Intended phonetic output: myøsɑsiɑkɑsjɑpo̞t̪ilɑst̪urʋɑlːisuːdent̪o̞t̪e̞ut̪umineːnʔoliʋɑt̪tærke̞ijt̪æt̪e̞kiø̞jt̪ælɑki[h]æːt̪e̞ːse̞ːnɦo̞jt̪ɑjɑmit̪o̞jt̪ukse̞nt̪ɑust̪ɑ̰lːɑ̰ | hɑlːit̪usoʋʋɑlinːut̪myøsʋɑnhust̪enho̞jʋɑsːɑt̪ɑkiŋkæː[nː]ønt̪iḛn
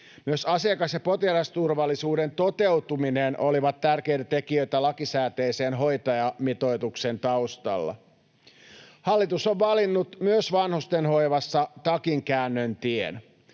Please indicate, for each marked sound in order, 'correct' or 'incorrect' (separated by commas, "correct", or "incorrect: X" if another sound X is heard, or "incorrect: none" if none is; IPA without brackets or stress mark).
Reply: incorrect: s, correct